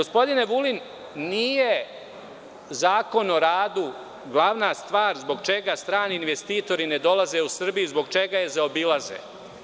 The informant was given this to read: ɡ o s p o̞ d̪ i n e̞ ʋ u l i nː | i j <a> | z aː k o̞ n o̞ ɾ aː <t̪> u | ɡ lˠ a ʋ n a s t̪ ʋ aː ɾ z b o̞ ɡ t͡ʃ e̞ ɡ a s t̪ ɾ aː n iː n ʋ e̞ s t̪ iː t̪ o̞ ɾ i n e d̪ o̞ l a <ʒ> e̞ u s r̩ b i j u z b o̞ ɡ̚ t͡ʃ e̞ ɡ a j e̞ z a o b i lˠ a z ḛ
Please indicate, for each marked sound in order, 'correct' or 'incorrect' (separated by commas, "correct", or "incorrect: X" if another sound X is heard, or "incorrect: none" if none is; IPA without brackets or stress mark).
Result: incorrect: e, incorrect: d̪, incorrect: z